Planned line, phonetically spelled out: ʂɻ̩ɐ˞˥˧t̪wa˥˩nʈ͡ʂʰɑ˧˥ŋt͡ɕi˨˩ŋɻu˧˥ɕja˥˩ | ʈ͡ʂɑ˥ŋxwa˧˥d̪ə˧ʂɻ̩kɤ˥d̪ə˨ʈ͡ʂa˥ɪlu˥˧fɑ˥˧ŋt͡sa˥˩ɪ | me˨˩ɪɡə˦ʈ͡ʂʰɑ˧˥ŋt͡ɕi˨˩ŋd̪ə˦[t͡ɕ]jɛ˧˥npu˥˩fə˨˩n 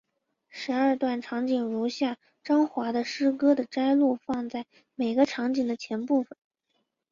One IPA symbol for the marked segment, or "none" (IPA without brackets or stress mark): t͡ɕʰ